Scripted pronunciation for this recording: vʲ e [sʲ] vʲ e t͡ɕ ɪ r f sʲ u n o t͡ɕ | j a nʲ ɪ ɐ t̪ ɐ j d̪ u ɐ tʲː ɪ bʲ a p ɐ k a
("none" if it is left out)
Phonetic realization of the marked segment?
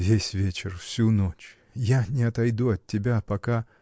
sʲ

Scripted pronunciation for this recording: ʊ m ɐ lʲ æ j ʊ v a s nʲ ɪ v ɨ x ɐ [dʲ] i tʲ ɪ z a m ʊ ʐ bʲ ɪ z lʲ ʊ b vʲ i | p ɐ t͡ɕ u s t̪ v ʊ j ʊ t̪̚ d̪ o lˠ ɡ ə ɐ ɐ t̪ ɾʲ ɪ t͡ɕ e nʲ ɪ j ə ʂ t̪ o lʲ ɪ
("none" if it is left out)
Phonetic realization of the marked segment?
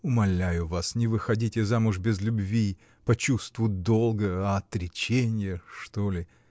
dʲ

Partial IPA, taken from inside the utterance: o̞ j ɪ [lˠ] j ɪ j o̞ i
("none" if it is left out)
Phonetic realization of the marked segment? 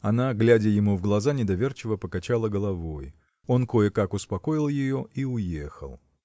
lˠ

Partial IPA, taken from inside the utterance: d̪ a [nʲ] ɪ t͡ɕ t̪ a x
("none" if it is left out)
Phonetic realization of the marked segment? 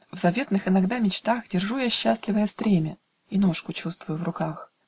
mʲ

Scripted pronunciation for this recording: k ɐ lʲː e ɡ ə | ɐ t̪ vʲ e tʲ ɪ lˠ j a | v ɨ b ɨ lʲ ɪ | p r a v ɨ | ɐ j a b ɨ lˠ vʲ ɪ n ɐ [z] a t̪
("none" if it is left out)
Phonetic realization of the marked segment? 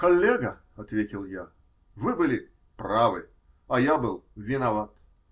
v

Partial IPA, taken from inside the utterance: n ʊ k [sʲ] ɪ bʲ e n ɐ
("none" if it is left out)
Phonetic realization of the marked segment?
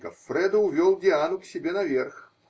sʲ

